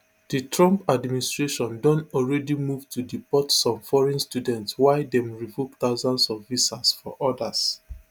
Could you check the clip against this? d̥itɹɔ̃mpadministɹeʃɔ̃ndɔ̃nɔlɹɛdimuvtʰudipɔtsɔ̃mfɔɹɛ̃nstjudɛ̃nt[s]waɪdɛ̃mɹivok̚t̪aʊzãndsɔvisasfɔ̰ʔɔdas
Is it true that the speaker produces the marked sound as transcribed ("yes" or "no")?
yes